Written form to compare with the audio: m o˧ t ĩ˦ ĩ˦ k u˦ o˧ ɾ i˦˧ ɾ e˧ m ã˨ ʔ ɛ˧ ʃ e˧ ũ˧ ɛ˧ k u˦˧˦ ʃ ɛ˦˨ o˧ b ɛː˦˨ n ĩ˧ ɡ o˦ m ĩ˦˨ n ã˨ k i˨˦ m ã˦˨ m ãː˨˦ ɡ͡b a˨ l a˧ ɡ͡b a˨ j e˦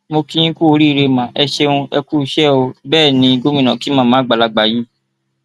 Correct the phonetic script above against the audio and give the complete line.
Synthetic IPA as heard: m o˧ k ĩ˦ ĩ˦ k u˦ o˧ ɾ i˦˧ ɾ e˧ m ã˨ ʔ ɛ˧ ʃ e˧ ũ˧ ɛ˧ k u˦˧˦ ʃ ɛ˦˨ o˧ b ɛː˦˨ n ĩ˧ ɡ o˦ m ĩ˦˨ n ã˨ k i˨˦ m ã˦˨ m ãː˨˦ ɡ͡b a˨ l a˧ ɡ͡b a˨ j i˦